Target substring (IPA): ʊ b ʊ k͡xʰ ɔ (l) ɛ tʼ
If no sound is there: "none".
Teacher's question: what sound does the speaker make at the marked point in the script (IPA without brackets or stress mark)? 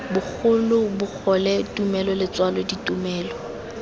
l